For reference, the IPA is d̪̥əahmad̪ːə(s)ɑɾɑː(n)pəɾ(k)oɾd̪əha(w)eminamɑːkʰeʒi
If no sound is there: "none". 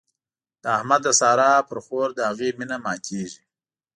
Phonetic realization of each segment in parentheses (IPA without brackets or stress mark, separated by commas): s, none, x, ɣ